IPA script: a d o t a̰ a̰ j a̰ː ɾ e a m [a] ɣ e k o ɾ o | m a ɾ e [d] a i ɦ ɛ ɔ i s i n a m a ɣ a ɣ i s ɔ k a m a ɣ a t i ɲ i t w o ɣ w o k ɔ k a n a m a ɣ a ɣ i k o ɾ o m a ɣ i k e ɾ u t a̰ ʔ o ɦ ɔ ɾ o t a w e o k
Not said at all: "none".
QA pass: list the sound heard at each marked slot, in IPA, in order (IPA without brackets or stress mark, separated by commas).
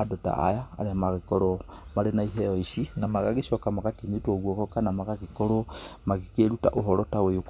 a, n